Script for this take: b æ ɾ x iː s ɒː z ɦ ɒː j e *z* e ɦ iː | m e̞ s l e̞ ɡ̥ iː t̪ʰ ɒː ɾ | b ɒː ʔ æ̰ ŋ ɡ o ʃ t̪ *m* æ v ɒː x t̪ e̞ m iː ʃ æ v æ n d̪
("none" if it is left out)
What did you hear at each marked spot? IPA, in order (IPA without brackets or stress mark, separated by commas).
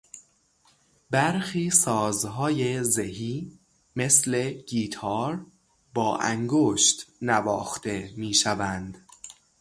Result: z, n